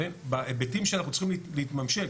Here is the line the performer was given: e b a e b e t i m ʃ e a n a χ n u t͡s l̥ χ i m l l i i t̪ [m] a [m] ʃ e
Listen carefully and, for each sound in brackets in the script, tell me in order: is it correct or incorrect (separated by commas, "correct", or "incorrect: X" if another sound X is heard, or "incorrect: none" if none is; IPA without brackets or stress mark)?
correct, correct